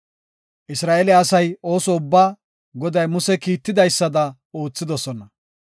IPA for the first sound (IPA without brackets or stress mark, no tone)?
ʔ